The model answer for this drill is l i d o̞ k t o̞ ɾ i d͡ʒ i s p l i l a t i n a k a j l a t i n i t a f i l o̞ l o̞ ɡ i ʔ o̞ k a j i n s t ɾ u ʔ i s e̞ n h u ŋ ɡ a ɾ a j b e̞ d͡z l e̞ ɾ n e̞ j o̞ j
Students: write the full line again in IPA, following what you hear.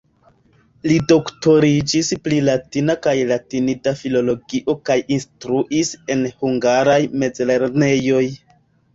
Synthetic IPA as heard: l i d o̞ k t o̞ ɾ i d͡ʒ i s p l i l a t i n a k a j l a t i n i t a f i l o̞ l o̞ ɡ i ʔ o̞ k a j i n s t ɾ u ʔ i s e̞ n h u ŋ ɡ a ɾ a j m e̞ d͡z l e̞ ɾ n e̞ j o̞ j